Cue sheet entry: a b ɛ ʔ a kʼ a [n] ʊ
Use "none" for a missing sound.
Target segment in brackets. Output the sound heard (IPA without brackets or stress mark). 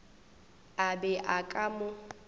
m